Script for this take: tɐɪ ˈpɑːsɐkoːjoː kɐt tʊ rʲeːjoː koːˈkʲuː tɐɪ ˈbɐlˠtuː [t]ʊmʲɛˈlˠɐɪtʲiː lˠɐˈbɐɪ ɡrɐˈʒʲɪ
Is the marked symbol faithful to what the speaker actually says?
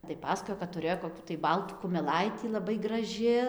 no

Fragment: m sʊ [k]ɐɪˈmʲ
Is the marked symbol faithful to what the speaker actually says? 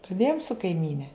yes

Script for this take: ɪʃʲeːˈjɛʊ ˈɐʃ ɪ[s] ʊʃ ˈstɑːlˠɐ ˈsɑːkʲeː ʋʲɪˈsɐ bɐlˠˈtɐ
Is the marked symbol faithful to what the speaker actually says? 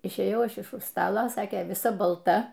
no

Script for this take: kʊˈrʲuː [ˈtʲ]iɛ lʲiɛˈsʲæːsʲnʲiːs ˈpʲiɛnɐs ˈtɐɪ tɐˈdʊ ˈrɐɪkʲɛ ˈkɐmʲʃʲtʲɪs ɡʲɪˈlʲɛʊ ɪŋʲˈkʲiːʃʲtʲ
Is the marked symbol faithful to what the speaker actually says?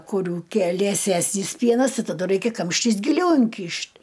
no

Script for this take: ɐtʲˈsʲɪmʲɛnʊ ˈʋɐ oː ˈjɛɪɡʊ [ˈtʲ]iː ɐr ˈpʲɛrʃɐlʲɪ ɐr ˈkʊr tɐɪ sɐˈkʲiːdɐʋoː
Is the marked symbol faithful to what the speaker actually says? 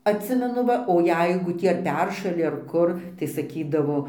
yes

